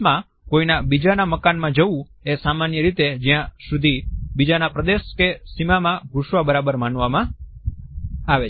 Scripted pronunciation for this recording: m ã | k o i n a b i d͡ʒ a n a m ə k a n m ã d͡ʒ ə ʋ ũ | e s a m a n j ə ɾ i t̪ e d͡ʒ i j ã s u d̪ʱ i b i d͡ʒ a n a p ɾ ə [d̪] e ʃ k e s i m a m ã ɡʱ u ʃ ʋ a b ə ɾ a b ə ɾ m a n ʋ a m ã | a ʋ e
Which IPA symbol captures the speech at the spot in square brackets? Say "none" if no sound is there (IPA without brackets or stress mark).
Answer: d̪